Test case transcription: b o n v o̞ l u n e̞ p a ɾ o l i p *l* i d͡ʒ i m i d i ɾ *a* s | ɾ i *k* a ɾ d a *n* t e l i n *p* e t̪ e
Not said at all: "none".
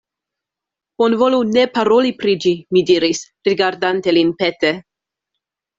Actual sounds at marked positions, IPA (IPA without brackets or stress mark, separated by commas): ɾ, i, ɡ, n, p